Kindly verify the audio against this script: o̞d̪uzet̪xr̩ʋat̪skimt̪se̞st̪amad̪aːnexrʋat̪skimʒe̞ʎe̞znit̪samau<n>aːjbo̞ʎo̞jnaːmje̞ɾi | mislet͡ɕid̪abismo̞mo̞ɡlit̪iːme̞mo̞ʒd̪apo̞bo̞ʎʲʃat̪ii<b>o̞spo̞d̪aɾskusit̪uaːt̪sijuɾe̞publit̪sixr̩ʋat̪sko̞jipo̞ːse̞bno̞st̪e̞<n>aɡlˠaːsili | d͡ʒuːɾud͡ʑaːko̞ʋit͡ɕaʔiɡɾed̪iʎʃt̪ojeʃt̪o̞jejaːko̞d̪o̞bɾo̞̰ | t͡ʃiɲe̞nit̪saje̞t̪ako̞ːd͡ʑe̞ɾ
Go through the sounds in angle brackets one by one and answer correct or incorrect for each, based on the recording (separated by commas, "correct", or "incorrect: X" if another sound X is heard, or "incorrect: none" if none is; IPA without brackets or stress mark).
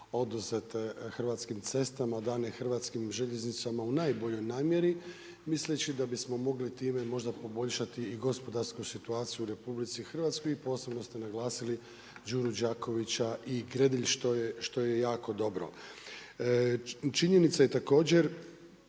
correct, incorrect: ɡ, correct